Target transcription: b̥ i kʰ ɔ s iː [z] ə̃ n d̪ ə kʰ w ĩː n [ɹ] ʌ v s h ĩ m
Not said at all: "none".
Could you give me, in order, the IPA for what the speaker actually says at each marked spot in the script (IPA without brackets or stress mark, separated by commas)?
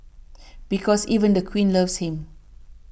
v, l